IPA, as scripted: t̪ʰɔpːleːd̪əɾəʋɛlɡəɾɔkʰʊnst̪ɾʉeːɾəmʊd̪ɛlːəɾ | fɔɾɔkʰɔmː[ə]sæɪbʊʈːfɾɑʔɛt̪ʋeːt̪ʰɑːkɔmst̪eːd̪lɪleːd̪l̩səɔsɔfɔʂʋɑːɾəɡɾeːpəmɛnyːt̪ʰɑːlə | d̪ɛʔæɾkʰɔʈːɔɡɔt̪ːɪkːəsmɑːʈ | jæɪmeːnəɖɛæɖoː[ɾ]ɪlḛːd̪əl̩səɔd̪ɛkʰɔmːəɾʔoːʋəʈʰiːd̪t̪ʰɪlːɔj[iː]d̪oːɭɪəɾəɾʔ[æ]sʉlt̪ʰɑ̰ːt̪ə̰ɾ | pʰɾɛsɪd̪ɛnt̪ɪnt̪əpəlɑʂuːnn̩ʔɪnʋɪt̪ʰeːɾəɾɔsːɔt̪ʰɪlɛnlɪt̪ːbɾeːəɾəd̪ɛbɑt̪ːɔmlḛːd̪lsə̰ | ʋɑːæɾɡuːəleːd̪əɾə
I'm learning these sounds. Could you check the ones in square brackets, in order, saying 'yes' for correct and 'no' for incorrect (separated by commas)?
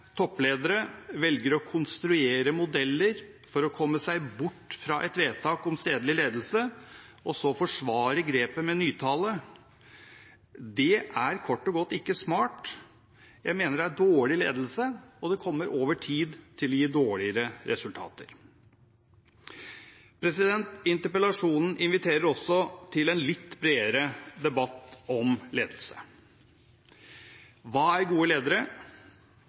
yes, no, yes, no